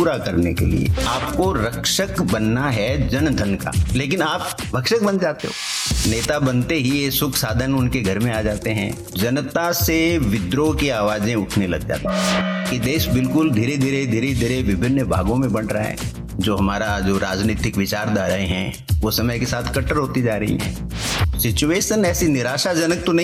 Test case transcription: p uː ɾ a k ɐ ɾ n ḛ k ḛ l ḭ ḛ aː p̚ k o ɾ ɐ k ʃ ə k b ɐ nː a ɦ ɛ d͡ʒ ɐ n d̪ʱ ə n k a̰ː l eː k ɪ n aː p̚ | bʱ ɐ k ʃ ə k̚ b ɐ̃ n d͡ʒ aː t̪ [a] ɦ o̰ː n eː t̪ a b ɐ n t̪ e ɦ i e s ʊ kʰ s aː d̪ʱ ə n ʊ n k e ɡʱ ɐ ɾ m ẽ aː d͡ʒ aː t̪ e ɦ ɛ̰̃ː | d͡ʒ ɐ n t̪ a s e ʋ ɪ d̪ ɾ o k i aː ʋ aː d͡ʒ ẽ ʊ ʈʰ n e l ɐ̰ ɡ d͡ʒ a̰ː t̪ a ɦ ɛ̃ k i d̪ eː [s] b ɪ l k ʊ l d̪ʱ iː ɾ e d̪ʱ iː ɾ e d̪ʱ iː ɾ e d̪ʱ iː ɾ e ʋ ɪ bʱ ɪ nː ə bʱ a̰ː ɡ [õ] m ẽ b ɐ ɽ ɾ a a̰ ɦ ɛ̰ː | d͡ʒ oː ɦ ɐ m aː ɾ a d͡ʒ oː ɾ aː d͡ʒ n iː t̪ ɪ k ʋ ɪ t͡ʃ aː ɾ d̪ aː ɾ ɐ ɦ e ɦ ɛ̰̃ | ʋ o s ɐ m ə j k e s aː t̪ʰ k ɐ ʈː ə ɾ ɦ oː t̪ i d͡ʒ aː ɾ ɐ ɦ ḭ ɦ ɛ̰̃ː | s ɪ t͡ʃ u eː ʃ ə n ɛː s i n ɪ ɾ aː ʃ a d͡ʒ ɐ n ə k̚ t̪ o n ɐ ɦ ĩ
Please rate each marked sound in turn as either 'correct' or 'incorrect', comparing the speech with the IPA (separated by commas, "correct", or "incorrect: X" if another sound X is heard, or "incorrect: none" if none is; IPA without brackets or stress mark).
incorrect: e, incorrect: ʃ, correct